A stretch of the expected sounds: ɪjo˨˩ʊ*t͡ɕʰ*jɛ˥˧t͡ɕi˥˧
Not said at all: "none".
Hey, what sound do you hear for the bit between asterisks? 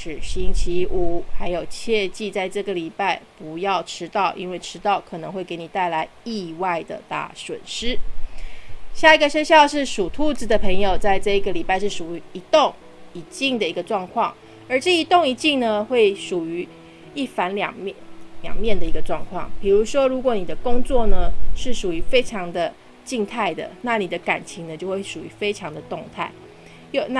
t͡ɕʰ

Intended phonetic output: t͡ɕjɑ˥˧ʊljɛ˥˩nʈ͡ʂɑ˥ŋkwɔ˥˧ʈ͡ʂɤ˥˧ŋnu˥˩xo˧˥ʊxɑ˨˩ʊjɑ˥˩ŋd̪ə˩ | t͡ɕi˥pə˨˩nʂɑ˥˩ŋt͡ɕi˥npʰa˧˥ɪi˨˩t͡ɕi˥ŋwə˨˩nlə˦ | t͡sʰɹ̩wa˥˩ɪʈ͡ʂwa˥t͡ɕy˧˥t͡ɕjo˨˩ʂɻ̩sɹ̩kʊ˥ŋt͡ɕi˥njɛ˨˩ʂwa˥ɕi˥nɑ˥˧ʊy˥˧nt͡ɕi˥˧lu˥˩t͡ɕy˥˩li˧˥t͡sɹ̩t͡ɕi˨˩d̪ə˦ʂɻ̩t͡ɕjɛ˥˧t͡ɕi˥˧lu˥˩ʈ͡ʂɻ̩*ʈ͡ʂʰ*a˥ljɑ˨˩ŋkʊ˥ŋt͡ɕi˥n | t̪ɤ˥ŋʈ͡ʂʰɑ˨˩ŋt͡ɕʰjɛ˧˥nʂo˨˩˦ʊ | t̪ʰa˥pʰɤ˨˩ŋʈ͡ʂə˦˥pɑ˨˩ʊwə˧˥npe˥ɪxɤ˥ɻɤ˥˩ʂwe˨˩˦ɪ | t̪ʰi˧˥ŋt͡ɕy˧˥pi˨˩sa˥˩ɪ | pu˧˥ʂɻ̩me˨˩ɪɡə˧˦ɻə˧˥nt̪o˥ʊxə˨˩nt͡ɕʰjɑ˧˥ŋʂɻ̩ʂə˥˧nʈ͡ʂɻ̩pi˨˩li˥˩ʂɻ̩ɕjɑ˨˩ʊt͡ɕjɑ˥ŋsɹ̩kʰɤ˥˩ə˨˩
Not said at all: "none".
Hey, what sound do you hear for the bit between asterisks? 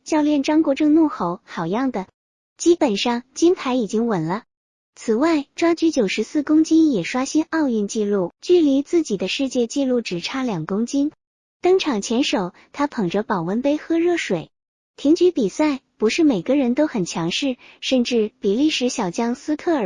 ʈ͡ʂʰ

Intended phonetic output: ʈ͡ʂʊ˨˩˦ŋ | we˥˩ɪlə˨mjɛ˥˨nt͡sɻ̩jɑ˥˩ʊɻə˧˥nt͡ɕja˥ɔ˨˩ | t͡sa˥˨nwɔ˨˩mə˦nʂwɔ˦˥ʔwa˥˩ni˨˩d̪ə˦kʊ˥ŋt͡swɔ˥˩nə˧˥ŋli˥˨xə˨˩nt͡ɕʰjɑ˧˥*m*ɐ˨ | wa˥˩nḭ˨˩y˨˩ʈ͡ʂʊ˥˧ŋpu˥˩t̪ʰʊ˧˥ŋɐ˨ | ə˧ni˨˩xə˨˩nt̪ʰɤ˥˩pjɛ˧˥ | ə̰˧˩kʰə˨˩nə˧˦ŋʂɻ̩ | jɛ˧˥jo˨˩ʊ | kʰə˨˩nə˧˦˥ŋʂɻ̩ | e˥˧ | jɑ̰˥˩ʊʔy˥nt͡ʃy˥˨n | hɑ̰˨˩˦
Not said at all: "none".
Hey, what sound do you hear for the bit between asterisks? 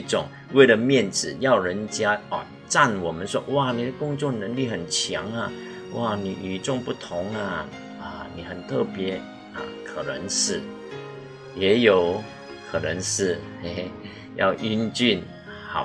ŋ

